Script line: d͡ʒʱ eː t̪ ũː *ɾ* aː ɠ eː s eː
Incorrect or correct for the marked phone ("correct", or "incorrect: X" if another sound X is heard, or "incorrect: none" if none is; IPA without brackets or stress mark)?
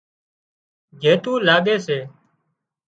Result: incorrect: l